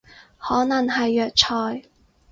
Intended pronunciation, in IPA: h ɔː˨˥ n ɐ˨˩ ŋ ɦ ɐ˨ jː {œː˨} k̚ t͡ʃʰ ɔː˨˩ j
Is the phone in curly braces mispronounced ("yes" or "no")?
no